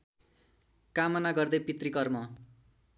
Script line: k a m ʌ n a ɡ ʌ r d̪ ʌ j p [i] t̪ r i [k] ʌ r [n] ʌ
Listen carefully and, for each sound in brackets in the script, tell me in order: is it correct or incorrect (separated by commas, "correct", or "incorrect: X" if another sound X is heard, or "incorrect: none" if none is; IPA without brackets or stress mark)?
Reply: correct, correct, incorrect: m